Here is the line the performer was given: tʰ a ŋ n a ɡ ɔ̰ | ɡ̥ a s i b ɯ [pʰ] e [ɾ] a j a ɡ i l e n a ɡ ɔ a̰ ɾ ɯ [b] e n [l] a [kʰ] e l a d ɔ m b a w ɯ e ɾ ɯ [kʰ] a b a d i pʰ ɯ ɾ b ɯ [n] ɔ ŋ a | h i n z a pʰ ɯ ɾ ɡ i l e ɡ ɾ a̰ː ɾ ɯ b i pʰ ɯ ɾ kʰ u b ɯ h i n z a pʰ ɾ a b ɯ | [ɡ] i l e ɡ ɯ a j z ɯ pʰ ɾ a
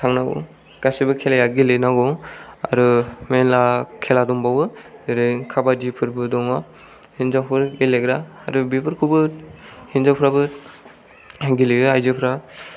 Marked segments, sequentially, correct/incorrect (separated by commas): incorrect, incorrect, incorrect, correct, correct, correct, incorrect, correct